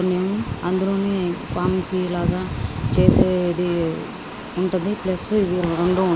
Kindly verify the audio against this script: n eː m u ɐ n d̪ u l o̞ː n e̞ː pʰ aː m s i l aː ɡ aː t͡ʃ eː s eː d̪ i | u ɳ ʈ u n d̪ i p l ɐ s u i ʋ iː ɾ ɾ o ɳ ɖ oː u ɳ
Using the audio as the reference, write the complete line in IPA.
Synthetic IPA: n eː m u ɐ n d̪ u l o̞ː n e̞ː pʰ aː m s i l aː ɡ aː t͡ʃ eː s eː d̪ i | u ɳ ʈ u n d̪ i p l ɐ s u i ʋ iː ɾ ɾ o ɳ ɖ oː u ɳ